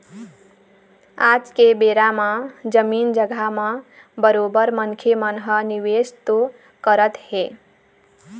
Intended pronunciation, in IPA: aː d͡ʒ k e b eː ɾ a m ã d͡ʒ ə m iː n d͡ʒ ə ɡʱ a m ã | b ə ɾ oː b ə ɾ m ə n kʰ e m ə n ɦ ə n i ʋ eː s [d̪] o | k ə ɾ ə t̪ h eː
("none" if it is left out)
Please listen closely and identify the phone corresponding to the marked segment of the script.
t̪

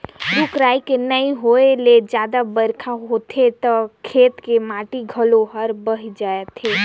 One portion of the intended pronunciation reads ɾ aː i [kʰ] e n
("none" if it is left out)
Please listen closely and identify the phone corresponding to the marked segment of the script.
k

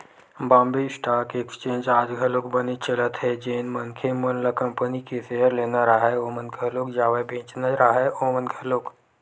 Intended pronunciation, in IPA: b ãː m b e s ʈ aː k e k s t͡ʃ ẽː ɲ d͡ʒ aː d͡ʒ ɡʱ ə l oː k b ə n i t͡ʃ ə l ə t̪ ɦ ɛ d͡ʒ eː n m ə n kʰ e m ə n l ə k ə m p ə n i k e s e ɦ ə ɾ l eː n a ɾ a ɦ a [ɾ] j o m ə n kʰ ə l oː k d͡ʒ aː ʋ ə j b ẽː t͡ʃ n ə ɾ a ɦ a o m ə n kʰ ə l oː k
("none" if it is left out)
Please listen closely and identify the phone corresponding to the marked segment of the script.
none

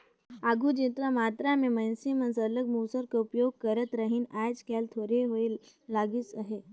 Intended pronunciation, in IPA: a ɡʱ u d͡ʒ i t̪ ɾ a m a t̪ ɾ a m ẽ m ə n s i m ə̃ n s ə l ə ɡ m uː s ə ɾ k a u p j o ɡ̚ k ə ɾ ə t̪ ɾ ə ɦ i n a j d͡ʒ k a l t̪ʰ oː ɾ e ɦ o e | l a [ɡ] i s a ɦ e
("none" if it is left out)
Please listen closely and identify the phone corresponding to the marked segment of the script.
ɡ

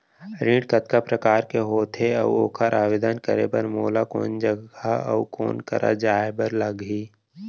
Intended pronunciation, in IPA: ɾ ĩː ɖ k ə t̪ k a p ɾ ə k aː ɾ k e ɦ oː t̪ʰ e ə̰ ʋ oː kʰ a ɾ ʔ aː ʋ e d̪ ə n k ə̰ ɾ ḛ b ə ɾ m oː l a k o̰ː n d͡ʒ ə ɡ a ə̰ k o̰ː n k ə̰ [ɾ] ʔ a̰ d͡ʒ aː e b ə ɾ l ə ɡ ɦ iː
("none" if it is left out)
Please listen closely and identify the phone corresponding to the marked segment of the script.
ɾ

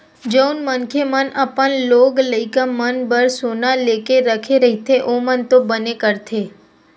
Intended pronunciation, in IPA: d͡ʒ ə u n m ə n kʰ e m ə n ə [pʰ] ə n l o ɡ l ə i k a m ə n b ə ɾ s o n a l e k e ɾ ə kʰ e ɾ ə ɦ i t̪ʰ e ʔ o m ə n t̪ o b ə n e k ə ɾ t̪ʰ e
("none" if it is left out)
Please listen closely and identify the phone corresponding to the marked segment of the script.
p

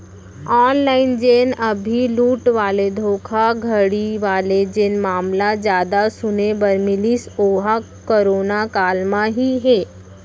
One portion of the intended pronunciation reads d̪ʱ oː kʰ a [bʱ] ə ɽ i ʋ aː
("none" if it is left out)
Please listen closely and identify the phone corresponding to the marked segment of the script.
ɡʱ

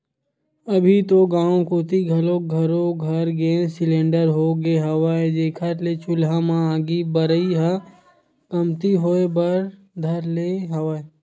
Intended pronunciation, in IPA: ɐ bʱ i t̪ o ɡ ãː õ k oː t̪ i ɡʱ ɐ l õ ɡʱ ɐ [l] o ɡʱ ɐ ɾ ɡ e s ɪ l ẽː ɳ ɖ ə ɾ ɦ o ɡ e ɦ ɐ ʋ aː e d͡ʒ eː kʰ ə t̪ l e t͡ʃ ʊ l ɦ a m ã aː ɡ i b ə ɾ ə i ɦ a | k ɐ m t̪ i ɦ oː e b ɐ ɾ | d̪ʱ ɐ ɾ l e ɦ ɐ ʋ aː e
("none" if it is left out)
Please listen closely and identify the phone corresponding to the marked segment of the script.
ɾ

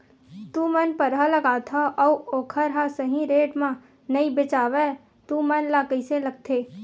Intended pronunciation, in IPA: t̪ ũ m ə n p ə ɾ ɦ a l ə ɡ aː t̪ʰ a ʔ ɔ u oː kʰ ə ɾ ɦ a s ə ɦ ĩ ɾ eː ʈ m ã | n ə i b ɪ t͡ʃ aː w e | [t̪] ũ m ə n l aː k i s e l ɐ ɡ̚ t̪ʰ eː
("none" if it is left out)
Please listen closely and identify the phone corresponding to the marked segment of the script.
t̪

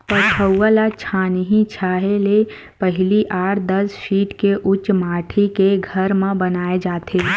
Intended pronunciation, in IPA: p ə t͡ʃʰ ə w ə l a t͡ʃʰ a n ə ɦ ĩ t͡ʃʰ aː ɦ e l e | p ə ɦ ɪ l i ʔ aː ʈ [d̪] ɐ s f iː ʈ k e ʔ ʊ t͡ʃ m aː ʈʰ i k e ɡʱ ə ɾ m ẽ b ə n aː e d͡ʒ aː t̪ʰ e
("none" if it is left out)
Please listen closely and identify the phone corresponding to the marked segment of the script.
d̪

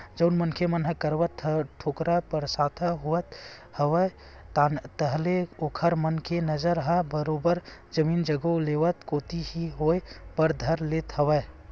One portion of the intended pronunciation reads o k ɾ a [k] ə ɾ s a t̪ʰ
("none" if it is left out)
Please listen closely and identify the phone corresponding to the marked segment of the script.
p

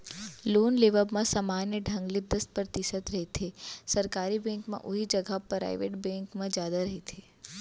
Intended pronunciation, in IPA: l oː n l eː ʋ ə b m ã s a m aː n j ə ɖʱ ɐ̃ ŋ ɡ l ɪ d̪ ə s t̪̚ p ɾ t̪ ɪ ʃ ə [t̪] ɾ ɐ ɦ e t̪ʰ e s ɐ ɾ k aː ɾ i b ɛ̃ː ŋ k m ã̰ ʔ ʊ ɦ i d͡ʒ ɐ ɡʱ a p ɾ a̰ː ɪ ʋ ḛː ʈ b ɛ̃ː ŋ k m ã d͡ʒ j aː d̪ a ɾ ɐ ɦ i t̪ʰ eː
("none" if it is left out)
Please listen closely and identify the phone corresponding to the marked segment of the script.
t̪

